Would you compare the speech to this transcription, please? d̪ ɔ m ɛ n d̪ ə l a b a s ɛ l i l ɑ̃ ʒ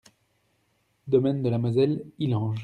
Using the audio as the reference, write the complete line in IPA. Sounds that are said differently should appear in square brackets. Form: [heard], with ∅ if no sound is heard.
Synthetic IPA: d̪ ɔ m ɛ n d̪ ə l a [m] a [z] ɛ l i l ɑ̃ ʒ